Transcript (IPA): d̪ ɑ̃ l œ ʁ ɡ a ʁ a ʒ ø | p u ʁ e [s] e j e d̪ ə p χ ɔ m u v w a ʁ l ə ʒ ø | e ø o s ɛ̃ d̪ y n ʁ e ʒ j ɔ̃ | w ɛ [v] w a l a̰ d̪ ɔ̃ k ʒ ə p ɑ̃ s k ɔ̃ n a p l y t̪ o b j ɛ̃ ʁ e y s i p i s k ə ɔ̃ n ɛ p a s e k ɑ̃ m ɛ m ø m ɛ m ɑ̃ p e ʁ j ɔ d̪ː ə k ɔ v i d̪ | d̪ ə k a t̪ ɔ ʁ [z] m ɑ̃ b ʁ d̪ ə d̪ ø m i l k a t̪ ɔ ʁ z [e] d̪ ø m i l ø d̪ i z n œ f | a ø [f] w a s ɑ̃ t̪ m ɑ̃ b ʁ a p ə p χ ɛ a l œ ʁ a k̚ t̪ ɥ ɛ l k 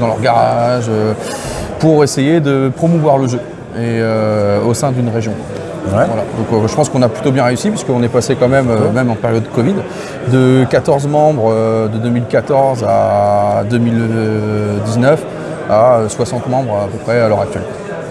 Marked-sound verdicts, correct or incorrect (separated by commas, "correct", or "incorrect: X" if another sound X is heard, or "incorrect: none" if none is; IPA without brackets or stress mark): correct, correct, correct, incorrect: a, incorrect: s